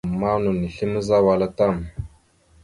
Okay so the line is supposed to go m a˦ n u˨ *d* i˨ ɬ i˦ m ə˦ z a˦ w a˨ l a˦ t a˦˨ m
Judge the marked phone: incorrect: n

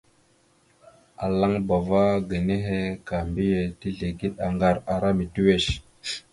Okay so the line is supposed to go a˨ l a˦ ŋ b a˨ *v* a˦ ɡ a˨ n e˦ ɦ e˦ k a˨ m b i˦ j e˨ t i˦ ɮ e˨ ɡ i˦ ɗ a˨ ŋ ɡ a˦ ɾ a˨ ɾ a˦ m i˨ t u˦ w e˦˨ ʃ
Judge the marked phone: correct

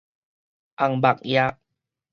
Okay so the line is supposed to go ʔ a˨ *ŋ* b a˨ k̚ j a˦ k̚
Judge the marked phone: correct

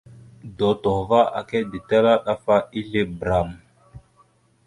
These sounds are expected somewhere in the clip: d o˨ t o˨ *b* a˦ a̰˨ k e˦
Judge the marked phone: incorrect: v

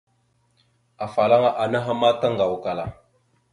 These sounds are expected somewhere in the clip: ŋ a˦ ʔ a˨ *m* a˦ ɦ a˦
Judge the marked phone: incorrect: n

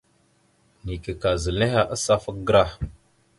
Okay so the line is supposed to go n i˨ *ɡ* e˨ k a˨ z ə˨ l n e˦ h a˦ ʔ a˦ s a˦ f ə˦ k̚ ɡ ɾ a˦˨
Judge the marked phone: incorrect: k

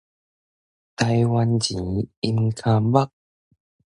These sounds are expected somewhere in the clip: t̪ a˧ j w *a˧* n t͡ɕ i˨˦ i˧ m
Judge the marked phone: correct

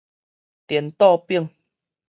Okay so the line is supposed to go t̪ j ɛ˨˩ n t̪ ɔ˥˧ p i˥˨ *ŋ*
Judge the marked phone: correct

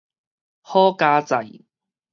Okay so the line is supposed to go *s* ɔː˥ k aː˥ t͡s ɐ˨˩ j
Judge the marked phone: incorrect: h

